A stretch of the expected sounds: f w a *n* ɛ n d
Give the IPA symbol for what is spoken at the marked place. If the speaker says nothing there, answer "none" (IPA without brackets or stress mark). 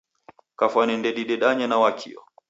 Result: n